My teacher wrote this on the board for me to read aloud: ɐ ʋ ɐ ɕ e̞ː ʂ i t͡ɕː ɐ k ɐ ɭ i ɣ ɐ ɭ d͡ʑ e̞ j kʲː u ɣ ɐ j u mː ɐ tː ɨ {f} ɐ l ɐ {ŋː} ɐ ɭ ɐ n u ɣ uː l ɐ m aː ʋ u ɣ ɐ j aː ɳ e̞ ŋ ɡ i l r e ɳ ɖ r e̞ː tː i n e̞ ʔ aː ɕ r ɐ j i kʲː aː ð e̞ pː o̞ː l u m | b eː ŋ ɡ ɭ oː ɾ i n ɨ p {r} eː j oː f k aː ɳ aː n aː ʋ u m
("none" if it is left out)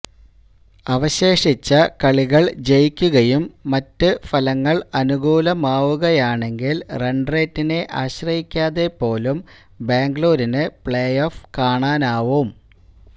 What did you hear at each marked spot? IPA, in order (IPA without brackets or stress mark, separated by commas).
f, ŋː, ɭ